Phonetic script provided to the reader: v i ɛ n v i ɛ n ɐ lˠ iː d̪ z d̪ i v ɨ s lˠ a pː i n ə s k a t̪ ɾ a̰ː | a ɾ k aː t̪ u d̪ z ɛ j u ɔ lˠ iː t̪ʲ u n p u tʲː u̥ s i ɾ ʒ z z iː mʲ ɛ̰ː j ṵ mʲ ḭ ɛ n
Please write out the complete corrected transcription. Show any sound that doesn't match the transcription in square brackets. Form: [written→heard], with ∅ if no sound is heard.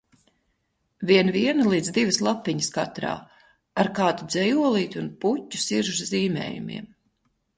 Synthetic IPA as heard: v i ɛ n v i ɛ n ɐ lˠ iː d̪ z d̪ i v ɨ s lˠ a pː i [n→ɲ] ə s k a t̪ ɾ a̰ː | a ɾ k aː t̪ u d̪ z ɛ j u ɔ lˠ iː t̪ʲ u n p u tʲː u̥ s i ɾ ʒ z z iː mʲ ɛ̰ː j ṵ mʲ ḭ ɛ [n→m]

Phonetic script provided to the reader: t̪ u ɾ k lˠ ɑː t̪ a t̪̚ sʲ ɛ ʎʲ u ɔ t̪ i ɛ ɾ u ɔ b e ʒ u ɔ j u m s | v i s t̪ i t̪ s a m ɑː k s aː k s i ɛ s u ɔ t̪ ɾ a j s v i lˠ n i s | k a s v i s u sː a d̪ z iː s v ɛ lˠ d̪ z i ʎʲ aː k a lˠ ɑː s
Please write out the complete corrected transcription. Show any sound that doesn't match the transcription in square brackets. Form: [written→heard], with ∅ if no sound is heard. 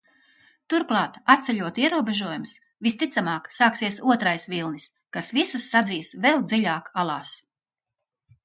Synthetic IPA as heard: t̪ u ɾ k lˠ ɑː t̪ a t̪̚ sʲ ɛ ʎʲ u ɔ t̪ i ɛ ɾ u ɔ b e ʒ u ɔ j u m s | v i s t̪ i t̪ s a m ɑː k s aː k s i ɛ s u ɔ t̪ ɾ a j s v i lˠ n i s | k a s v i s u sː a d̪ z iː s v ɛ lˠ d̪ z i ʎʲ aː k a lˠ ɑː s

